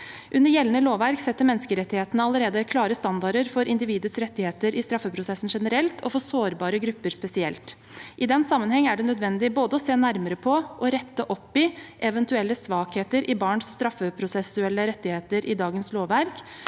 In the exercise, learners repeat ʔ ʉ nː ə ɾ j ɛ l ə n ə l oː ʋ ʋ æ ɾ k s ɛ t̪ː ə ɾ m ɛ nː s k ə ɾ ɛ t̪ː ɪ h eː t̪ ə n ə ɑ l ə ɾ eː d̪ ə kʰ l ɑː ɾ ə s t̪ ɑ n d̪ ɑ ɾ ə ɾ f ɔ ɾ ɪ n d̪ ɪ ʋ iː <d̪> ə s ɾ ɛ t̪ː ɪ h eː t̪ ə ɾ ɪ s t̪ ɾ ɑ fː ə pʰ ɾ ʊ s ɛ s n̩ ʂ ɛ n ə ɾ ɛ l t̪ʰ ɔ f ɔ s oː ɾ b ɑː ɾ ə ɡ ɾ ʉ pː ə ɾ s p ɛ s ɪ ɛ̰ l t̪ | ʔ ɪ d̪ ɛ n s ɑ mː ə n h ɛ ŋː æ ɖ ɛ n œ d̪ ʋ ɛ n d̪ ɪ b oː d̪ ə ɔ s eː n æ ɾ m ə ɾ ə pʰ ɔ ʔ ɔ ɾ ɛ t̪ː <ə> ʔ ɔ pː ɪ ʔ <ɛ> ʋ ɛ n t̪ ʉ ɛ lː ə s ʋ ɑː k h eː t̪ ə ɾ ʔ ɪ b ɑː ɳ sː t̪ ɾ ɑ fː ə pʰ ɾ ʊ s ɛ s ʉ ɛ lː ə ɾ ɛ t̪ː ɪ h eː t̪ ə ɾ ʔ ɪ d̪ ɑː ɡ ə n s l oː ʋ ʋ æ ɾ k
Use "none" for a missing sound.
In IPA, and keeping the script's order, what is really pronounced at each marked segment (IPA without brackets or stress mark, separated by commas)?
d̪, ə, ɛ